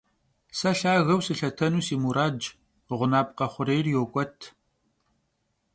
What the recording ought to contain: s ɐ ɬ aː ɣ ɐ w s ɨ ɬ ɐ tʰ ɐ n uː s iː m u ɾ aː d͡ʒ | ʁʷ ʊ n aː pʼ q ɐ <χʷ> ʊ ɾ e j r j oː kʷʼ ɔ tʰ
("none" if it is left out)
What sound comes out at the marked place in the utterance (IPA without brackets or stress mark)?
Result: χʷ